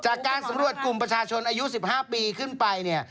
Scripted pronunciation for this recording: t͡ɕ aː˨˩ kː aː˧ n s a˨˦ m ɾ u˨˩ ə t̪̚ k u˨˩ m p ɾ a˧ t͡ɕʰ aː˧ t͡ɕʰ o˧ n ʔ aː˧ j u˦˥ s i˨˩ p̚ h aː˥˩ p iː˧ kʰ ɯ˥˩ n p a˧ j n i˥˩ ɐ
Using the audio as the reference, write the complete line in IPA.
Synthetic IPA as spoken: t͡ɕ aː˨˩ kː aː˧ n s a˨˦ m ɾ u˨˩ ə t̪̚ k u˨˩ m p ɾ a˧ t͡ɕʰ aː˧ t͡ɕʰ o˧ n ʔ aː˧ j u˦˥ s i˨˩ p̚ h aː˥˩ p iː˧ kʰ ɯ˥˩ n p a˧ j n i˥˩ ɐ